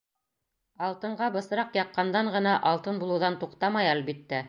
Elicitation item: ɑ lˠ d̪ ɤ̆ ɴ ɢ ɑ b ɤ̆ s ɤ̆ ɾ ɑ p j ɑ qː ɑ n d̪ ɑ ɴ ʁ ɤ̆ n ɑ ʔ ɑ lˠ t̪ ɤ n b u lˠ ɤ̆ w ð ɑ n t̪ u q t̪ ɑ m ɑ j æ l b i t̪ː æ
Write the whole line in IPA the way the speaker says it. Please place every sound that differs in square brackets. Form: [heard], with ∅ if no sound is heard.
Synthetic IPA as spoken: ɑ lˠ [t̪] ɤ̆ ɴ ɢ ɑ b ɤ̆ s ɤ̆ ɾ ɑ [q] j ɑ qː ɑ n d̪ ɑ ɴ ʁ ɤ̆ n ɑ ʔ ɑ lˠ t̪ ɤ n b u lˠ ɤ̆ w ð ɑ n t̪ u q t̪ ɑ m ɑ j æ l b i t̪ː æ